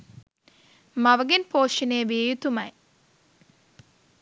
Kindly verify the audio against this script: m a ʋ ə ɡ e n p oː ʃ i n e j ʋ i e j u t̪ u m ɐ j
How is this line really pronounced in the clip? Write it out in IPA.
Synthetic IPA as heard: m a ʋ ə ɡ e n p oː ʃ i n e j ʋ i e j u t̪ u m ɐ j